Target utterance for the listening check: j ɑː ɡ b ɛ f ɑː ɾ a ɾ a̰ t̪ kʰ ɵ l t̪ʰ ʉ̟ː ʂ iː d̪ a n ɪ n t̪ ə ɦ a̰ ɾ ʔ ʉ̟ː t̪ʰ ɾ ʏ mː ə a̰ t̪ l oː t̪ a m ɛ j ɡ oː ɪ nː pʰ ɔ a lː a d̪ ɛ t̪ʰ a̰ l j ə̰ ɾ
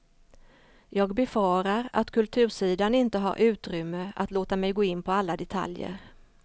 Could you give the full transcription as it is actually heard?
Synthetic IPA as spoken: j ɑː ɡ b ɛ f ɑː ɾ a ɾ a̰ t̪ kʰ ɵ l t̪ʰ ʉ̟ː ʂ iː d̪ a n ɪ n t̪ ə ɦ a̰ ɾ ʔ ʉ̟ː t̪ ɾ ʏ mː ə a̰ t̪ l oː t̪ a m ɛ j ɡ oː ɪ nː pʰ ɔ a lː a d̪ ɛ t̪ʰ a̰ l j ə̰ ɾ